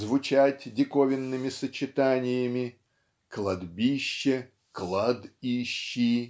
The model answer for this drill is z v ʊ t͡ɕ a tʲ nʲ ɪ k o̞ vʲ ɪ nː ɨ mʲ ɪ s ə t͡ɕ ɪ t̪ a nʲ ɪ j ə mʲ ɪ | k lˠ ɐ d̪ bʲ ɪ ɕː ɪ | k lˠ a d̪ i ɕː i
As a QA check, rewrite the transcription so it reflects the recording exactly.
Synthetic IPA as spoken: z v ʊ t͡ɕ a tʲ dʲ ɪ k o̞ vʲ ɪ nː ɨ mʲ ɪ s ə t͡ɕ ɪ t̪ a nʲ ɪ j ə mʲ ɪ | k lˠ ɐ d̪ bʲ i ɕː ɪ | k lˠ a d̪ i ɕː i